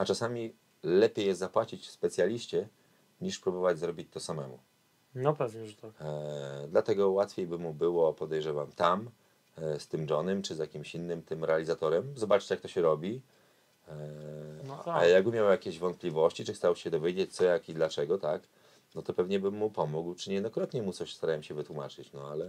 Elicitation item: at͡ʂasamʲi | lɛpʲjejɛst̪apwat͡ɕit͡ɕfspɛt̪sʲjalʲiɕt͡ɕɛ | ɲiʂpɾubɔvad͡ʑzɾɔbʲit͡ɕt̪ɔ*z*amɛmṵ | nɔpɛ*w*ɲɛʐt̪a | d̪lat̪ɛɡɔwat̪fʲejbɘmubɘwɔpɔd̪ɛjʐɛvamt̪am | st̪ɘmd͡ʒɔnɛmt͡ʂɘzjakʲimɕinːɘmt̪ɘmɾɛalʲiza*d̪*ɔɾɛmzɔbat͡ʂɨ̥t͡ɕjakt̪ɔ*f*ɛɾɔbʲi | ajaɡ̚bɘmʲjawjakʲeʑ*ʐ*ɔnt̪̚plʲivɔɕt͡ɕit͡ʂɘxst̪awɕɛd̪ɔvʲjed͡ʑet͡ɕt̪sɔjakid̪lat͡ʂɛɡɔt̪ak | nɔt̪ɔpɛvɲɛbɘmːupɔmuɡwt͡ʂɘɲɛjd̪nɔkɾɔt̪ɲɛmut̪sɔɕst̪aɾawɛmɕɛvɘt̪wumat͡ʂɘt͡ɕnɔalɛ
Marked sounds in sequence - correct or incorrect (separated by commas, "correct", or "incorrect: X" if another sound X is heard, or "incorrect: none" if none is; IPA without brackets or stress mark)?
incorrect: s, incorrect: v, incorrect: t̪, incorrect: ɕ, incorrect: v